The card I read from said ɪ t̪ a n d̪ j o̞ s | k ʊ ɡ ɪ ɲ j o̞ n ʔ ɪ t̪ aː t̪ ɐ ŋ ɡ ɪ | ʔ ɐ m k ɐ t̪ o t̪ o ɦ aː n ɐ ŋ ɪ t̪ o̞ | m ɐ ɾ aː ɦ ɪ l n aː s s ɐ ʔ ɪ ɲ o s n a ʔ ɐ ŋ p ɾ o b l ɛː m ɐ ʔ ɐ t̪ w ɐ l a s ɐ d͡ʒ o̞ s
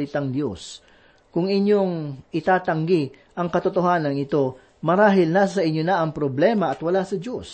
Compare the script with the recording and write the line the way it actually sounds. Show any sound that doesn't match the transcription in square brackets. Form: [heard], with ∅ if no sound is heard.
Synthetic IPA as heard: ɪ t̪ a [ŋ] d̪ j o̞ s | k ʊ [ŋ] ɪ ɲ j o̞ [ŋ] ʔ ɪ t̪ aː t̪ ɐ ŋ ɡ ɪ | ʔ ɐ [ŋ] k ɐ t̪ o t̪ o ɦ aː n ɐ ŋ ɪ t̪ o̞ | m ɐ ɾ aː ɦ ɪ l n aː s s ɐ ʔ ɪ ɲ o [∅] n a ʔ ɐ ŋ p ɾ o b l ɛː m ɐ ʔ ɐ t̪ w ɐ l a s ɐ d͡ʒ o̞ s